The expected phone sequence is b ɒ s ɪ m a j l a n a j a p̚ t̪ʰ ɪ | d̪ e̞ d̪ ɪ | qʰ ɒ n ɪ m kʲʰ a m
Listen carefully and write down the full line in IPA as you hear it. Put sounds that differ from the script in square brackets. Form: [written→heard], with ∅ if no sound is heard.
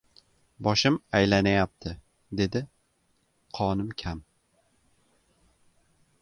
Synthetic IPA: b ɒ [s→ʃ] ɪ m a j l a n a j a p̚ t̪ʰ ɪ | d̪ e̞ d̪ ɪ | qʰ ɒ n ɪ m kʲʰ a m